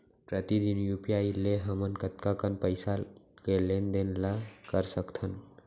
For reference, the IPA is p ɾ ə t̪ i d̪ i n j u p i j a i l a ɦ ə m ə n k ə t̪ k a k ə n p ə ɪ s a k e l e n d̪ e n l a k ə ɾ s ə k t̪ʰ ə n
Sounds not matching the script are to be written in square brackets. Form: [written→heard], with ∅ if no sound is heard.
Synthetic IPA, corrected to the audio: p ɾ ə t̪ i d̪ i n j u p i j a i l [a→e] ɦ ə m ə n k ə t̪ k a k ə n p ə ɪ s a k e l e n d̪ e n l a k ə ɾ s ə k t̪ʰ ə n